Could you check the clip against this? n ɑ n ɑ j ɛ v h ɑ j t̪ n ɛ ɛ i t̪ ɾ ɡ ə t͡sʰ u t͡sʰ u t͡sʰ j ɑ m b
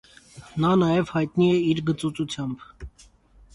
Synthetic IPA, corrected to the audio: n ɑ n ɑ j ɛ v h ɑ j t̪ n i ɛ i ɾ ɡ ə t͡s u t͡s u t͡sʰ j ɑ m b